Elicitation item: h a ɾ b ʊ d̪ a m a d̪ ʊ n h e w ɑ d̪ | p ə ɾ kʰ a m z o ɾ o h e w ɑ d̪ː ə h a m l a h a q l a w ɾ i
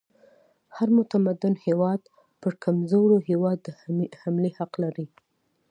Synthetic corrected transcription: h a ɾ m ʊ t̪ a m a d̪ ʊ n h e w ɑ d̪ | p ə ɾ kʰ a m z o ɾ o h e w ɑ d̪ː ə h a m l e h a q l a ɾ i